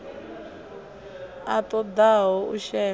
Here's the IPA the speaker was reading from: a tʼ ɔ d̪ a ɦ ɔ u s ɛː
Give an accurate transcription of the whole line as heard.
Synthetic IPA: a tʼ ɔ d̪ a ɦ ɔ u ʃ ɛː